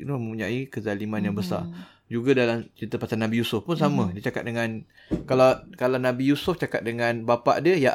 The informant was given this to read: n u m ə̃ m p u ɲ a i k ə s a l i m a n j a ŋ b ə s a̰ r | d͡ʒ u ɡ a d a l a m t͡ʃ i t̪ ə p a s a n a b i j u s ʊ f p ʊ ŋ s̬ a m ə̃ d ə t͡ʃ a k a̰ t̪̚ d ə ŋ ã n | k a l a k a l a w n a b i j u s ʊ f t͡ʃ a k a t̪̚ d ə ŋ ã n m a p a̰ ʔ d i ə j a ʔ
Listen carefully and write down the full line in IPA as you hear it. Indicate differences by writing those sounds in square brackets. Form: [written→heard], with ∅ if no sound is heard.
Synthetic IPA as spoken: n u m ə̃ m p u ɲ a i k ə [s→z] a l i m a n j a ŋ b ə s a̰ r | d͡ʒ u ɡ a d a l a m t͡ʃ i t̪ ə p a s a n a b i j u s ʊ f p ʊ [ŋ→n] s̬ a m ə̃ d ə t͡ʃ a k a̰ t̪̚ d ə ŋ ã n | k a l a k a l a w n a b i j u s ʊ f t͡ʃ a k a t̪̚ d ə ŋ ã n [m→b] a p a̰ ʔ d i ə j a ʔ